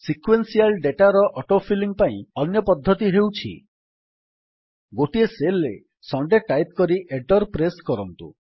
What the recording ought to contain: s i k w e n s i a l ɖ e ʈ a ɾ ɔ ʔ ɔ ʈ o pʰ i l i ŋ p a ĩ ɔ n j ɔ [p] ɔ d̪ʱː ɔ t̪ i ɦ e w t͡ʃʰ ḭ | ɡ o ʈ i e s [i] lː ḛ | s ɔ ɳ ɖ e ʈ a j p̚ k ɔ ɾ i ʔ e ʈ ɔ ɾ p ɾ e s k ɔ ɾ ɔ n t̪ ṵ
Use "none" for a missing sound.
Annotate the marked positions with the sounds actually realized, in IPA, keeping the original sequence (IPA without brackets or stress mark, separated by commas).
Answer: p, e